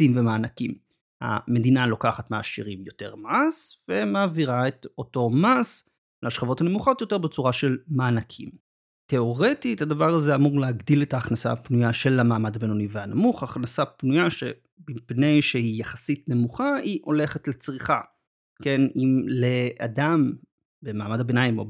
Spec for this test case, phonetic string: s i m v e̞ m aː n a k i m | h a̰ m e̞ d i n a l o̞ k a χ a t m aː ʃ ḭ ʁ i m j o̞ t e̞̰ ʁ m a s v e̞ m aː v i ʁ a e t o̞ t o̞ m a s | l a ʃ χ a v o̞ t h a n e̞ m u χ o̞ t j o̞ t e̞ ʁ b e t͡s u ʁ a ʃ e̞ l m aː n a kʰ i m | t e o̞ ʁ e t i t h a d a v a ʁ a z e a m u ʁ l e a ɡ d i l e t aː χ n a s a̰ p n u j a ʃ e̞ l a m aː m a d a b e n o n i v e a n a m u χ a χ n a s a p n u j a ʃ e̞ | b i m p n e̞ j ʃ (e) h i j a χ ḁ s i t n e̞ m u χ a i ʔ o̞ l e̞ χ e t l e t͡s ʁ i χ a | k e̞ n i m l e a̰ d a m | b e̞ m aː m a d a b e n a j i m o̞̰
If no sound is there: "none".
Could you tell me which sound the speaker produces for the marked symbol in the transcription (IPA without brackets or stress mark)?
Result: e